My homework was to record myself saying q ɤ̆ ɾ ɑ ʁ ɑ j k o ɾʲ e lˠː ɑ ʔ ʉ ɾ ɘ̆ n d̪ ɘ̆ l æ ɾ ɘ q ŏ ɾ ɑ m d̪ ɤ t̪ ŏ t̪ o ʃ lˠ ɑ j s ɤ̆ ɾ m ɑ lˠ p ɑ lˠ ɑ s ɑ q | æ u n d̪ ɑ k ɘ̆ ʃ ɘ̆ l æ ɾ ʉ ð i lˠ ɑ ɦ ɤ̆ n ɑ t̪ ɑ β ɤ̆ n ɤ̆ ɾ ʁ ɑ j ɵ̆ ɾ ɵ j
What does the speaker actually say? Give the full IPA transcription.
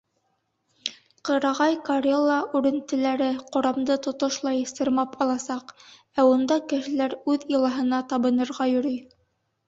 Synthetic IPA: q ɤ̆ ɾ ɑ ʁ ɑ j k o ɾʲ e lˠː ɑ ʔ ʉ ɾ ɘ̆ n t̪ ɘ̆ l æ ɾ ɘ q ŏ ɾ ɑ m d̪ ɤ t̪ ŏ t̪ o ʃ lˠ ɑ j s ɤ̆ ɾ m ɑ p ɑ lˠ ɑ s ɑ q | æ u n d̪ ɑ k ɘ̆ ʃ ɘ̆ l æ ɾ ʉ ð i lˠ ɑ ɦ ɤ̆ n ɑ t̪ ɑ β ɤ̆ n ɤ̆ ɾ ʁ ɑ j ɵ̆ ɾ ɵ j